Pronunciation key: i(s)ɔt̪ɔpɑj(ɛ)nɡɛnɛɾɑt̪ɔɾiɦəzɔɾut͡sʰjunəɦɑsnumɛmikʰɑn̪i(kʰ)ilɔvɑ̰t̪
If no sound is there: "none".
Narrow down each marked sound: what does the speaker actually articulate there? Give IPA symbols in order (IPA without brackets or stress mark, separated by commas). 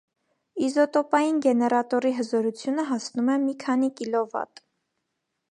z, i, k